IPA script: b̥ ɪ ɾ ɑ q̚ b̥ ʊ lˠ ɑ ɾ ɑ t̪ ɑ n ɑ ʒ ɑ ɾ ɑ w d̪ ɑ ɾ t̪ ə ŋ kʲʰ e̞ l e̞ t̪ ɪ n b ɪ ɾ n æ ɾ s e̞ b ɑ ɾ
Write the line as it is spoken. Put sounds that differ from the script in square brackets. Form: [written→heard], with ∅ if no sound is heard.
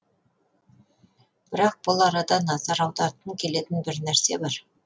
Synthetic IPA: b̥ ɪ ɾ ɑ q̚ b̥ ʊ lˠ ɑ ɾ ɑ [t̪→d̪] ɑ n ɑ [ʒ→z] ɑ ɾ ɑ w d̪ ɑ ɾ t̪ ə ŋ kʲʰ e̞ l e̞ t̪ ɪ n b ɪ ɾ n æ ɾ s e̞ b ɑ ɾ